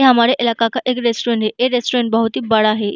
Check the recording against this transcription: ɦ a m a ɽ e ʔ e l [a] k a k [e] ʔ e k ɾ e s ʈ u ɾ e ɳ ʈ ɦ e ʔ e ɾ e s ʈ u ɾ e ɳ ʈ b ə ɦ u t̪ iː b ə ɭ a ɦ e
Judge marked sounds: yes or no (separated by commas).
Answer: yes, no